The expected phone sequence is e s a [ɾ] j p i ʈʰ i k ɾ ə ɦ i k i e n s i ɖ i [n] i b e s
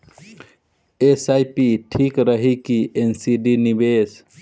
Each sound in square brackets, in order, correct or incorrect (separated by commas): incorrect, correct